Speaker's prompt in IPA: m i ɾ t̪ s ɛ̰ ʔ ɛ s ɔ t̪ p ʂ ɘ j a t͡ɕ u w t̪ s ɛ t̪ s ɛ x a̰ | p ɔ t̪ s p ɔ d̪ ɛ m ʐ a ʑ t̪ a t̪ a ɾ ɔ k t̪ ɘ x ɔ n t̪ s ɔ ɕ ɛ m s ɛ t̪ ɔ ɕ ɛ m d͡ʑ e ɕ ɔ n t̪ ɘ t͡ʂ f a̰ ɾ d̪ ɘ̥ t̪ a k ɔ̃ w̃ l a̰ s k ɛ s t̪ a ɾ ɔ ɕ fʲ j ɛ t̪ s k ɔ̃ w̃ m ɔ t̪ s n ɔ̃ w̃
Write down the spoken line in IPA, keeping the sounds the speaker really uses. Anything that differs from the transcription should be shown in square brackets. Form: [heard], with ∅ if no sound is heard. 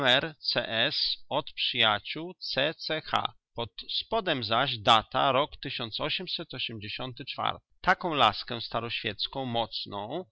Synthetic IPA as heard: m [ɛ] ɾ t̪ s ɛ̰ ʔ ɛ s ɔ t̪ p ʂ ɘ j a t͡ɕ u w t̪ s ɛ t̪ s ɛ x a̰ | p ɔ t̪ s p ɔ d̪ ɛ m [z] a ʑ [d̪] a t̪ a ɾ ɔ k t̪ ɘ [ɕ] ɔ n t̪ s ɔ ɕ ɛ m s ɛ t̪ ɔ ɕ ɛ m d͡ʑ e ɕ ɔ n t̪ ɘ t͡ʂ f a̰ ɾ [t̪] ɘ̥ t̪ a k ɔ̃ w̃ l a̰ s k ɛ s t̪ a ɾ ɔ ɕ fʲ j ɛ t̪ s k ɔ̃ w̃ m ɔ t̪ s n ɔ̃ w̃